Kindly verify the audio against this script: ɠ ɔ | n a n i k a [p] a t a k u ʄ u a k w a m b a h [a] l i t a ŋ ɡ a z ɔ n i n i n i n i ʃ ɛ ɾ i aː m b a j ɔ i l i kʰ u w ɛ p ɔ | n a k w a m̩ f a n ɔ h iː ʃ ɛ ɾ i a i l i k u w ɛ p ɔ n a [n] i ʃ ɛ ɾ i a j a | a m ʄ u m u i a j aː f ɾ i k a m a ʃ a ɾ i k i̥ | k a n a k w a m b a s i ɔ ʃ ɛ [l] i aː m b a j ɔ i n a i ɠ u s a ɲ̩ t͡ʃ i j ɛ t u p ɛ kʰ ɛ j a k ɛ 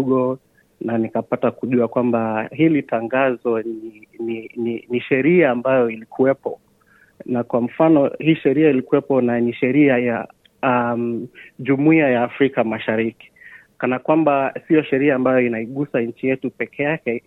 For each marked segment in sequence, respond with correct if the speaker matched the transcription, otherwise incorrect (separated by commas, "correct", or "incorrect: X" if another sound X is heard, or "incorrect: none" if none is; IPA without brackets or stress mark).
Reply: correct, incorrect: i, correct, incorrect: ɾ